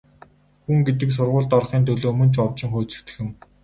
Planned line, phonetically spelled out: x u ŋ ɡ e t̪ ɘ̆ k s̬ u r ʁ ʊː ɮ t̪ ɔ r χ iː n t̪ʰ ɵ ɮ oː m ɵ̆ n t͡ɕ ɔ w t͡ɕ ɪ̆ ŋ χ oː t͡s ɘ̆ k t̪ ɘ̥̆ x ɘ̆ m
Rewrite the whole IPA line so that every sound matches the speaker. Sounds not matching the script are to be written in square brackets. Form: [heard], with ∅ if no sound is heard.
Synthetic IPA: x u ŋ ɡ e t̪ ɘ̆ k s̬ [ʊ] r ʁ ʊː ɮ t̪ ɔ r χ iː n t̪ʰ ɵ ɮ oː m ɵ̆ n t͡ɕ ɔ w t͡ɕ ɪ̆ ŋ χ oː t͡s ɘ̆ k t̪ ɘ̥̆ x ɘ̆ m